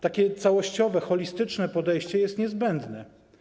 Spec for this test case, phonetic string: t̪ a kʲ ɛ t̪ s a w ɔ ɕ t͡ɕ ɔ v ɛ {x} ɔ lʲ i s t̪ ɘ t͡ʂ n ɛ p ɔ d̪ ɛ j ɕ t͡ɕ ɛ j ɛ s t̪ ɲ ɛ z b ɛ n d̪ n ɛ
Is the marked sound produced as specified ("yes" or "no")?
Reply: yes